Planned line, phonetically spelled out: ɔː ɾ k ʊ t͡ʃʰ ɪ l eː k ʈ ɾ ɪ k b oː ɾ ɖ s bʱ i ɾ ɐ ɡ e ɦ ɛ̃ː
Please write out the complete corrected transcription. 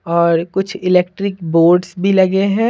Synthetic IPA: ɔː ɾ k ʊ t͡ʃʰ ɪ l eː k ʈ ɾ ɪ k b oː ɾ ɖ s bʱ i l ɐ ɡ e ɦ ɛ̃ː